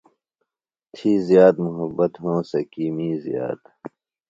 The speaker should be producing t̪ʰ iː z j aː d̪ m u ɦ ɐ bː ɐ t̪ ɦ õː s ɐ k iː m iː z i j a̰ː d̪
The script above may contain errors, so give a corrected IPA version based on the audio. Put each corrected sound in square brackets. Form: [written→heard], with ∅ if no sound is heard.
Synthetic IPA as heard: t̪ʰ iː z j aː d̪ m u ɦ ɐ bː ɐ t̪ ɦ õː s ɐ k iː m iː z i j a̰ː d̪